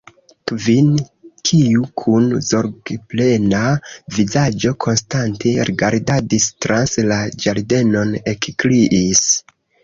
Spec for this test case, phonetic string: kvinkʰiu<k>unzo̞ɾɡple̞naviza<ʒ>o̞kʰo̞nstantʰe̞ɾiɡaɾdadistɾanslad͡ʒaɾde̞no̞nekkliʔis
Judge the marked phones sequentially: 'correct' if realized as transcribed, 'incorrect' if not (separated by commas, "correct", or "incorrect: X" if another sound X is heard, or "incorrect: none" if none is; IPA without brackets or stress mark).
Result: incorrect: kʰ, incorrect: d͡ʒ